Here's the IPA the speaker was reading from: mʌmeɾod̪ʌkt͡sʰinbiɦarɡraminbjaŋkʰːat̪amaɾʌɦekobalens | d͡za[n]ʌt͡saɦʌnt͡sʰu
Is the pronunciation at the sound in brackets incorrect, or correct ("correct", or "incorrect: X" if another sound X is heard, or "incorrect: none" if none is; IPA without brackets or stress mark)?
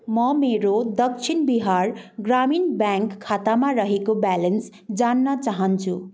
incorrect: nː